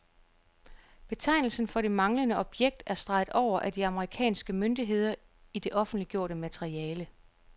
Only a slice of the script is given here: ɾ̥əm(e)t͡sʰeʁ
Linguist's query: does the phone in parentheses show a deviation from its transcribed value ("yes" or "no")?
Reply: yes